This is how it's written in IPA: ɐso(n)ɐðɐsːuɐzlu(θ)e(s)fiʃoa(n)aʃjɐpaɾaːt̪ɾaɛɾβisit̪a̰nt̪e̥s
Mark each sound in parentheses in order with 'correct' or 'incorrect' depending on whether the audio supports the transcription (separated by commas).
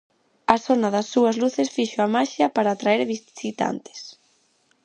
correct, correct, correct, incorrect